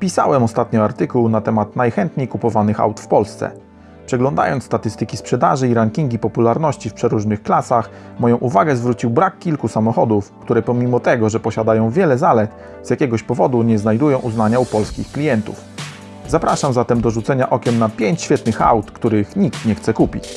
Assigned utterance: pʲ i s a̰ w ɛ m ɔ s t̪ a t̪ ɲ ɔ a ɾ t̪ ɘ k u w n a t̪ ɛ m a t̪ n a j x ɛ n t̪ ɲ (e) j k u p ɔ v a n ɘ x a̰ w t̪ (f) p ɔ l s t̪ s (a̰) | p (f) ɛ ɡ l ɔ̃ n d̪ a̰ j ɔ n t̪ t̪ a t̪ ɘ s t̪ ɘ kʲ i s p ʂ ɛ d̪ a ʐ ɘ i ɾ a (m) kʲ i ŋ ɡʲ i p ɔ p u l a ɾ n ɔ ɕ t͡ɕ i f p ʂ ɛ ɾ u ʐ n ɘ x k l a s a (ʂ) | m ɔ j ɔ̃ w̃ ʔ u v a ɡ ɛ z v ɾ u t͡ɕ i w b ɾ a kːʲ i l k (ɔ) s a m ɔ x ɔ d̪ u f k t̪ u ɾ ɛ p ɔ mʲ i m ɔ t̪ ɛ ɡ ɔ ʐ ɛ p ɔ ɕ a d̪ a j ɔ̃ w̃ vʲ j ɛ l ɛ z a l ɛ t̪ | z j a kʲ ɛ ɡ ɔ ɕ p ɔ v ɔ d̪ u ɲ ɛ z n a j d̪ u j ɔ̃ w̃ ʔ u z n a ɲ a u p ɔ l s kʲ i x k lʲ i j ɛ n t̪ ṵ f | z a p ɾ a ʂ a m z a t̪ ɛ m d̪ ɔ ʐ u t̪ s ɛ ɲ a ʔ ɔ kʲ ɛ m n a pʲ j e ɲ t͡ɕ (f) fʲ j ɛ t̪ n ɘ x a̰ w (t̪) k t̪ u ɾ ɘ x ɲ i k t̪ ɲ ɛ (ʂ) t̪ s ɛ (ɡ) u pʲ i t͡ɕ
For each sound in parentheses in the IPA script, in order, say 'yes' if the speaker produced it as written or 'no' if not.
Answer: yes, yes, no, no, no, no, no, no, yes, no, no

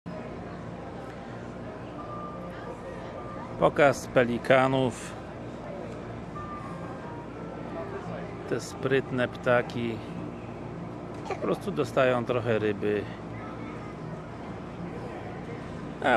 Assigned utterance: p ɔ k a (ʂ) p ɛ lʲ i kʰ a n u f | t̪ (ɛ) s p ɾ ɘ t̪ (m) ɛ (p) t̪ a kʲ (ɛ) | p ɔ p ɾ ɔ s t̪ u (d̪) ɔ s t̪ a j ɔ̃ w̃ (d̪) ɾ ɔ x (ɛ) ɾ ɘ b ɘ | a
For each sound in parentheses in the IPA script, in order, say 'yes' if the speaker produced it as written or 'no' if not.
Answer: no, yes, no, yes, no, yes, no, yes

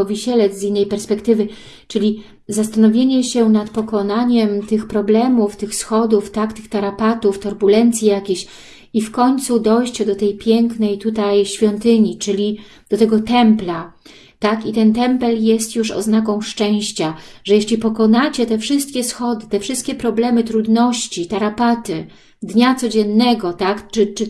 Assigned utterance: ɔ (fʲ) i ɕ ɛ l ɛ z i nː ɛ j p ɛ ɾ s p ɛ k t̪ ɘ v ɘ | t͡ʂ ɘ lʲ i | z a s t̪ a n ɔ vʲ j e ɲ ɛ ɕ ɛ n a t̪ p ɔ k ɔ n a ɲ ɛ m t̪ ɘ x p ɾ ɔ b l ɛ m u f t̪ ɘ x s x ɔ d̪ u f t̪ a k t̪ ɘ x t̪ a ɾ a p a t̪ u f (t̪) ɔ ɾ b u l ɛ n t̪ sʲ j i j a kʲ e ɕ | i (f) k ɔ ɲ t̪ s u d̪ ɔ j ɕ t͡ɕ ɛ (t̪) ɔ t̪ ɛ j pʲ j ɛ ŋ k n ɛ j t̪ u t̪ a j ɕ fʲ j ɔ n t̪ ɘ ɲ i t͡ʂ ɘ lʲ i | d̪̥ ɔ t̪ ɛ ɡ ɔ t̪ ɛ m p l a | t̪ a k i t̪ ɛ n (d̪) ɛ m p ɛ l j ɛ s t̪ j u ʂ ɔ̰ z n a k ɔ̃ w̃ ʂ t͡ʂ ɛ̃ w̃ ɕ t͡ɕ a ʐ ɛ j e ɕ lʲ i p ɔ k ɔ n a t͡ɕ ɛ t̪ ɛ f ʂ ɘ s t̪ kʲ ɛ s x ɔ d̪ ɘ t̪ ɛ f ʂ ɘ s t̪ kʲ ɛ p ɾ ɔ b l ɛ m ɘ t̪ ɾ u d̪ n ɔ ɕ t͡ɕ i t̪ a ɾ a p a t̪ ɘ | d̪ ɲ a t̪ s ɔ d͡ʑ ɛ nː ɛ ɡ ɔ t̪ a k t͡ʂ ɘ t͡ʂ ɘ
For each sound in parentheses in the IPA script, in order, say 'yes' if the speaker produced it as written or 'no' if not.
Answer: no, yes, yes, no, no

